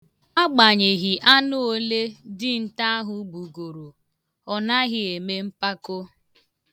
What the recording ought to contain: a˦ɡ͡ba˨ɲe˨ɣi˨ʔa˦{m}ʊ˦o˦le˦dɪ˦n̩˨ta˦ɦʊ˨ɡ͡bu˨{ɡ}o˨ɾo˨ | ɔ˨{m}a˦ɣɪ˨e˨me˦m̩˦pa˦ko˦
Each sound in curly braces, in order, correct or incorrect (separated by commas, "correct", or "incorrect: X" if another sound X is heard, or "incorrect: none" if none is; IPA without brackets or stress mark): incorrect: n, correct, incorrect: n